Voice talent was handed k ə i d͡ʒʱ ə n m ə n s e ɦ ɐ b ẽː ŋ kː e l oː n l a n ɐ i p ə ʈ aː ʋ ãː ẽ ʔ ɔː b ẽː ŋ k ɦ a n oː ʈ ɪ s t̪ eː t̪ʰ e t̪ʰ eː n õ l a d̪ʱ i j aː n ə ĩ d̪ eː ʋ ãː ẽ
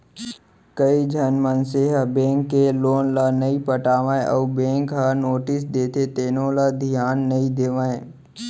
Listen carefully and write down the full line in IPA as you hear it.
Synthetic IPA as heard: k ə i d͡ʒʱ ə n m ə n s e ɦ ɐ b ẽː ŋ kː e l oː n l a n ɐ i p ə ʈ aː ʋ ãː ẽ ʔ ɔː b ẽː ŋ k ɦ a n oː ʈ ɪ s d̪ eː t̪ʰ e t̪ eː n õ l a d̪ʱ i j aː nː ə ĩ d̪ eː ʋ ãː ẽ

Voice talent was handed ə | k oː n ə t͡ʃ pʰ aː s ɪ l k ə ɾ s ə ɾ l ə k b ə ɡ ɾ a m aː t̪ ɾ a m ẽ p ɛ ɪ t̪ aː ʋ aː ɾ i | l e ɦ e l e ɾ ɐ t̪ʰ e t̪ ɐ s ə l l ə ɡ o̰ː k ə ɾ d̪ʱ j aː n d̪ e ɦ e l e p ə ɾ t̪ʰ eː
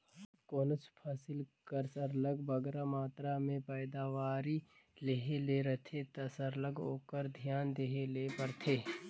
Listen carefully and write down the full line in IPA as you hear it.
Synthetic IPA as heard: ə | k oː n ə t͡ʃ pʰ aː s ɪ l k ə ɾ s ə ɾ l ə ɡ b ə ɡ ɾ a m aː t̪ ɾ a m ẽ p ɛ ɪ d̪ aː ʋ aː ɾ i | l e ɦ e l e ɾ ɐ t̪ʰ e t̪ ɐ s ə ɾ l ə ɡ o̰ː k ə ɾ d̪ʱ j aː n d̪ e ɦ e l e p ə ɾ t̪ʰ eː

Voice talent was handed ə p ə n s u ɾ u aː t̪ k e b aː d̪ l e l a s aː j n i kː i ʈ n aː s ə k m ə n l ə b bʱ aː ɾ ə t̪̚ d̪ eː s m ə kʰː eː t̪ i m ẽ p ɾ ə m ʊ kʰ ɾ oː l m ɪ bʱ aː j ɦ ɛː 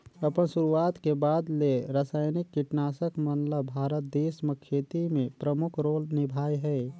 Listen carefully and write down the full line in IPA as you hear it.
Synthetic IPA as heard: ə p ə n s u ɾ u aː t̪ k e b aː d̪ l e ɾ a s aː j n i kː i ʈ n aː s ə k m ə n l ə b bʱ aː ɾ ə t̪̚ d̪ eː s m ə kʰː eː t̪ i m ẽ p ɾ ə m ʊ kʰ ɾ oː l n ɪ bʱ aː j ɦ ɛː

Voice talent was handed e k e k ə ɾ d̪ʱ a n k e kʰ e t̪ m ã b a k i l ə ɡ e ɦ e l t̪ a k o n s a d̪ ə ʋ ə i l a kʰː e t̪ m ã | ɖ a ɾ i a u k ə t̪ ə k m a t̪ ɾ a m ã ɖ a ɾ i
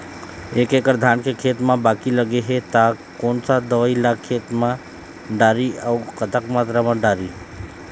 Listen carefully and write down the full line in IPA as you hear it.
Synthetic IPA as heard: e k e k ə ɾ d̪ʱ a n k e kʰ e t̪ m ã b a k i l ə ɡ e ɦ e t̪ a k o n s a d̪ ə ʋ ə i l a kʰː e t̪ m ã | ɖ a ɾ i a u k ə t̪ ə k m a t̪ ɾ a m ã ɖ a ɾ i

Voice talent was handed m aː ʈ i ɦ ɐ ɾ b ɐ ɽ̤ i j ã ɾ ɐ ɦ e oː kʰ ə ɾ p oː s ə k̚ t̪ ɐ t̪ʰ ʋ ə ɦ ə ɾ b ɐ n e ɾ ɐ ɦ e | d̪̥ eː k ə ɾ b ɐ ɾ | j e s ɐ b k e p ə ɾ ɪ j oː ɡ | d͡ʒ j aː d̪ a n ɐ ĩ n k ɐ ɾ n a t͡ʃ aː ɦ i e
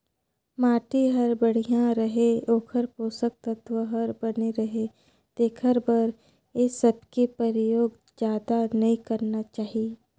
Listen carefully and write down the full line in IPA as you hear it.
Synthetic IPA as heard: m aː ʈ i ɦ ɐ ɾ b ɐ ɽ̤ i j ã ɾ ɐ ɦ e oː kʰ ə ɾ p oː s ə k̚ t̪ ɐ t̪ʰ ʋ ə ɦ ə ɾ b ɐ n e ɾ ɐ ɦ e | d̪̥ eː kʰ ə ɾ b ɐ ɾ | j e s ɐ b k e p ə ɾ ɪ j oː ɡ | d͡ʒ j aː d̪ a n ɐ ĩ k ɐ ɾ n a t͡ʃ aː ɦ i e

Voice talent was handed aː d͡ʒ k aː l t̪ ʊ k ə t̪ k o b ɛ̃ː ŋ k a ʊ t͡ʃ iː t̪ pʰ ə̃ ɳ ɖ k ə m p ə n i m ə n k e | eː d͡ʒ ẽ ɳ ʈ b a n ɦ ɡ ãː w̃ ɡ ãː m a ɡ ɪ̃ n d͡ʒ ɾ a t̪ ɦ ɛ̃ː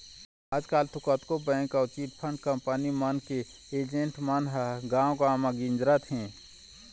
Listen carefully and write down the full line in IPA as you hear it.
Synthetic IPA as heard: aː d͡ʒ k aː l t̪ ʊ k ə t̪ k o b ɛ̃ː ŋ k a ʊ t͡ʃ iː t̪ pʰ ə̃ ɳ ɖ k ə m p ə n i m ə n k e | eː d͡ʒ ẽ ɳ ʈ m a n ɦ ɡ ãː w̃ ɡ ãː m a ɡ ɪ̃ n d͡ʒ ɾ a t̪ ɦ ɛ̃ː

